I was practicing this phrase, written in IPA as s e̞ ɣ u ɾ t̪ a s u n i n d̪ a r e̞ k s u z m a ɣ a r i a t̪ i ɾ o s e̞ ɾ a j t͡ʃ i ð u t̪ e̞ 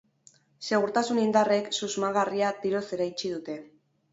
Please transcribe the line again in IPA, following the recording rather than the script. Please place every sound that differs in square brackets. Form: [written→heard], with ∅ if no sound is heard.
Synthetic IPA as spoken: s e̞ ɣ u ɾ t̪ a s u n i n d̪ a r e̞ k s u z m a ɣ a r i a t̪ i ɾ o s e̞ ɾ a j t͡ʃ i ð u t̪ e̞